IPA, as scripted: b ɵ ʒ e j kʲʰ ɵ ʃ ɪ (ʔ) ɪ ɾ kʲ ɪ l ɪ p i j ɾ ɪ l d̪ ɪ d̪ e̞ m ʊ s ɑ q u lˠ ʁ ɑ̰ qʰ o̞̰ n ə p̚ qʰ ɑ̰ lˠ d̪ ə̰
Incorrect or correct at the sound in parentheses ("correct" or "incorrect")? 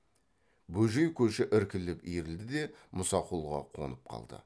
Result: correct